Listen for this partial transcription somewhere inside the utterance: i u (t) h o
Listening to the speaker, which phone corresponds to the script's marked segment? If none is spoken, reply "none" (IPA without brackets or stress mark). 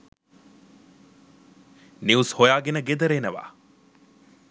s